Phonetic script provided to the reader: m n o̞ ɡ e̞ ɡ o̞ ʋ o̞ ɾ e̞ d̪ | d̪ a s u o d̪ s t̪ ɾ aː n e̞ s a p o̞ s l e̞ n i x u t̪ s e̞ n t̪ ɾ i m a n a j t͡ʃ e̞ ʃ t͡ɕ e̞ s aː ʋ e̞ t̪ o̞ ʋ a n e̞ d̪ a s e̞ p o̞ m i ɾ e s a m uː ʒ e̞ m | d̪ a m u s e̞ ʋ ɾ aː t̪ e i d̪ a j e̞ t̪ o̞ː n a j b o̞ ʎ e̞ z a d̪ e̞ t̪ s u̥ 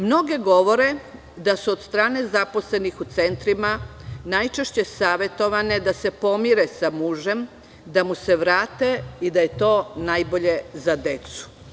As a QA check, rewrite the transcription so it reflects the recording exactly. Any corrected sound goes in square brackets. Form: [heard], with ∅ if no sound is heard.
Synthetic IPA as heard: m n o̞ ɡ e̞ ɡ o̞ ʋ o̞ ɾ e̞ [∅] | d̪ a s u o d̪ s t̪ ɾ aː n e̞ [z] a p o̞ s l e̞ n i x u t̪ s e̞ n t̪ ɾ i m a n a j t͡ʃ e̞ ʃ t͡ɕ e̞ s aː ʋ e̞ t̪ o̞ ʋ a n e̞ d̪ a s e̞ p o̞ m i ɾ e s a m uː ʒ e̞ m | d̪ a m u s e̞ ʋ ɾ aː t̪ e i d̪ a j e̞ t̪ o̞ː n a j b o̞ ʎ e̞ z a d̪ e̞ t̪ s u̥